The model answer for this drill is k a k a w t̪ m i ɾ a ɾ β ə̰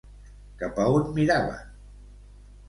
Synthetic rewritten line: k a p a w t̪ m i ɾ a β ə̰